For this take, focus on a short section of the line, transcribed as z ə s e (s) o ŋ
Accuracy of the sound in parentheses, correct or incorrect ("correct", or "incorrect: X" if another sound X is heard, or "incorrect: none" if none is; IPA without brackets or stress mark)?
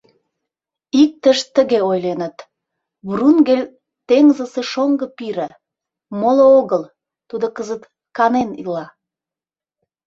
incorrect: ʃ